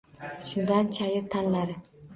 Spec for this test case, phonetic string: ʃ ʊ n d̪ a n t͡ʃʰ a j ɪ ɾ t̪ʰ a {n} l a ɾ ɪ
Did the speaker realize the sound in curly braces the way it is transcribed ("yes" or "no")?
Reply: yes